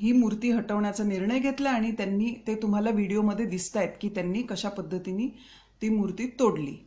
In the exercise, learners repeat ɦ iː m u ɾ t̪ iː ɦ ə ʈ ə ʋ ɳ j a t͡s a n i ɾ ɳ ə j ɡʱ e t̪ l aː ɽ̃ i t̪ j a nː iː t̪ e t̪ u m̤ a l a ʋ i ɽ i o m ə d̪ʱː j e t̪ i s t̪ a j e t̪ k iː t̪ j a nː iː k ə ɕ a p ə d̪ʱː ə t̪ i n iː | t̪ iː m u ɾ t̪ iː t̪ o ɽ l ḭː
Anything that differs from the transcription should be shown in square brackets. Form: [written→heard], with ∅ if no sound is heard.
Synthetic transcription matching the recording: ɦ iː m u ɾ t̪ iː ɦ ə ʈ ə ʋ ɳ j a t͡s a n i ɾ ɳ ə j ɡʱ e t̪ l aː ɽ̃ i t̪ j a nː iː t̪ e t̪ u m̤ a l a ʋ i ɽ i o m ə d̪ʱː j e [t̪→d̪] i s t̪ a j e t̪ k iː t̪ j a nː iː k ə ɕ a p ə d̪ʱː ə t̪ i n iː | t̪ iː m u ɾ t̪ iː t̪ o ɽ l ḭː